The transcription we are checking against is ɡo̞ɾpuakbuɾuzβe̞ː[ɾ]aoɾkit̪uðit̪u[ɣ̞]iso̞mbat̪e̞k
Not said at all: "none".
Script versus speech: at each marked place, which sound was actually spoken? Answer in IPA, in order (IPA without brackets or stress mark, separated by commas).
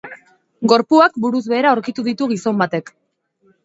ɾ, ɣ̞